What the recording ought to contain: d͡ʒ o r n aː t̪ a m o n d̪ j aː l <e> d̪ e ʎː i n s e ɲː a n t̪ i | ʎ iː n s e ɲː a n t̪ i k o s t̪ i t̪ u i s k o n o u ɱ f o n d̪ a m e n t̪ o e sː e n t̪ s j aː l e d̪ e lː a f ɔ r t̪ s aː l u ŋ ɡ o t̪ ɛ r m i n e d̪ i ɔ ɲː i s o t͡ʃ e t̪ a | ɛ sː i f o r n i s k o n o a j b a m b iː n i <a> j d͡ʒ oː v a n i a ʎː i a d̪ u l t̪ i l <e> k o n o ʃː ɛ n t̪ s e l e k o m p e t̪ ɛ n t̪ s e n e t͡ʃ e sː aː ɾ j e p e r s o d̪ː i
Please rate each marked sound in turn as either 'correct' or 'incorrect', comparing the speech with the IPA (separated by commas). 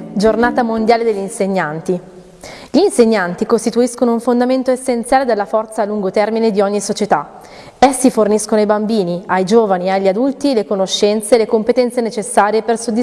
correct, correct, correct